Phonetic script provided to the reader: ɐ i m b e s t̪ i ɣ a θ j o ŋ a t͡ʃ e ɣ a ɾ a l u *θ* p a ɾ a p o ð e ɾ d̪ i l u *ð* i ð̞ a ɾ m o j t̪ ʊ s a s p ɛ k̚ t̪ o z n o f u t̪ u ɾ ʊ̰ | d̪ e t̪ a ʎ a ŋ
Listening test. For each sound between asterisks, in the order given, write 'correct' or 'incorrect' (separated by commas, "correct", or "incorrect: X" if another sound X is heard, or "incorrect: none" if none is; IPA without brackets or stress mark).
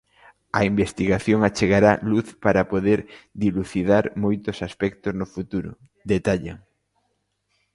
correct, incorrect: θ